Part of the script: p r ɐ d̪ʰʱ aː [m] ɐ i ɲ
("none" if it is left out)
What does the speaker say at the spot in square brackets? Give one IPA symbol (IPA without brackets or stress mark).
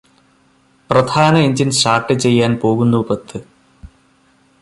n